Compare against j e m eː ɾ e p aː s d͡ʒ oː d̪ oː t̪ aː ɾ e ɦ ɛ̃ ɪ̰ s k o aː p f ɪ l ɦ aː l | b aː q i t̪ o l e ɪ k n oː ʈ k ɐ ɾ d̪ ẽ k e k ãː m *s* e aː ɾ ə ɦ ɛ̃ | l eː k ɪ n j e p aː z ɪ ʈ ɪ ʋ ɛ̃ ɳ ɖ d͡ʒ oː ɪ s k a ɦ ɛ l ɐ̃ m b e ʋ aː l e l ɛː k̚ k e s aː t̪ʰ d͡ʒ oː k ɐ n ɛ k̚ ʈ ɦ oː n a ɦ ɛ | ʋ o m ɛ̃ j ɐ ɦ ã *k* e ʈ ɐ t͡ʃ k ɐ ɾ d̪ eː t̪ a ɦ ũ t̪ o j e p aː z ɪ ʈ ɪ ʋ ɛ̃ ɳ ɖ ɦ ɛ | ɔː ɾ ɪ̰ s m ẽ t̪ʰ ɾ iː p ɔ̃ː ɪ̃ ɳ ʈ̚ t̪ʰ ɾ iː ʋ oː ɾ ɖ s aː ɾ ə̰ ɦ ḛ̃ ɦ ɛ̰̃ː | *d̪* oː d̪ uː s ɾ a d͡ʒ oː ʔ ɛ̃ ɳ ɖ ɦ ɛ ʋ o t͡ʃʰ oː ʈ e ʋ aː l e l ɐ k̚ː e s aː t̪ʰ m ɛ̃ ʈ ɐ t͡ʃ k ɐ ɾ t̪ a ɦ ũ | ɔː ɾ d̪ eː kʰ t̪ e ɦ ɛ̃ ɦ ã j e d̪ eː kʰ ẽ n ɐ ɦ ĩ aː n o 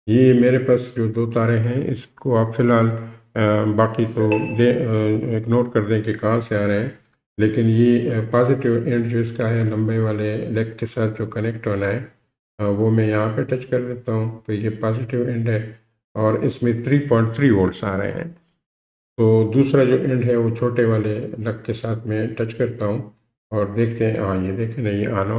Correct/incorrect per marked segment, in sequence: correct, incorrect: p, incorrect: t̪

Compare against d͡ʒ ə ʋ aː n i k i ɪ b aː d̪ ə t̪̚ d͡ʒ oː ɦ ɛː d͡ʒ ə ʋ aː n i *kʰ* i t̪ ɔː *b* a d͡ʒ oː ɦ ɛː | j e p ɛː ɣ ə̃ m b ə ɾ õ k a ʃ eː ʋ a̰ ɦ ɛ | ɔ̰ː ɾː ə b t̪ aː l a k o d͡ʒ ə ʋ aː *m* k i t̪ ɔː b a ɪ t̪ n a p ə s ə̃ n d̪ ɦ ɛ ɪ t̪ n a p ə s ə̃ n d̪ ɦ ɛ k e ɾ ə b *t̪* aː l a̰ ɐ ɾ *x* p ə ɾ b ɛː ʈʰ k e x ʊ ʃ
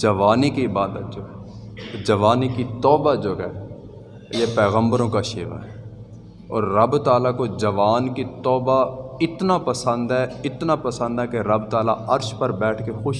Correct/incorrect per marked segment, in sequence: incorrect: k, correct, incorrect: n, correct, incorrect: ʃ

